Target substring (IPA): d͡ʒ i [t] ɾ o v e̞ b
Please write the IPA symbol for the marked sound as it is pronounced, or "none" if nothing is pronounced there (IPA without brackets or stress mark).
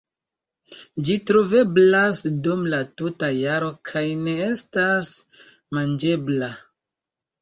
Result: t